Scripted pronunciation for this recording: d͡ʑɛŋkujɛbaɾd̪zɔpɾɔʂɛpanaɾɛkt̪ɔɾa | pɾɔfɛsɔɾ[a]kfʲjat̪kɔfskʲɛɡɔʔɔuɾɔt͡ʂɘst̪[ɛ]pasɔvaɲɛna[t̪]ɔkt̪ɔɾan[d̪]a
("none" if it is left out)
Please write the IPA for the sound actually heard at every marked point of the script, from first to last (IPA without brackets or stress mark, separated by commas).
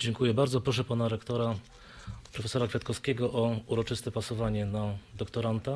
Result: a, ɛ, d̪, t̪